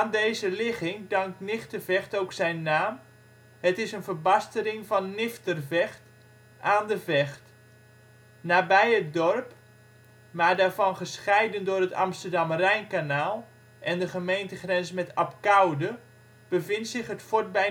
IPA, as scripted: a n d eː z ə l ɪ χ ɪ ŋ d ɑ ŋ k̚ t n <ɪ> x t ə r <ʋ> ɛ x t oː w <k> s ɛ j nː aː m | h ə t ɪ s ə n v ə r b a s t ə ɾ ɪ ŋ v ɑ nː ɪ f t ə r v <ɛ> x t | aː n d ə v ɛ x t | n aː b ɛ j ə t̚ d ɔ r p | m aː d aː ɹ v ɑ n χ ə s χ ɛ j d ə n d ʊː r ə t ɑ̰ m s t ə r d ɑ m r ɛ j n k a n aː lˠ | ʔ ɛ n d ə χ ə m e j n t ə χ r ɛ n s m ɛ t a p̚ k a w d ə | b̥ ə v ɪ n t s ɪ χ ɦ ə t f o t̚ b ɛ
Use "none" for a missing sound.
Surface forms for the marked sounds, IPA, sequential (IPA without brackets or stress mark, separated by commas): ɪ, v, k, ɛ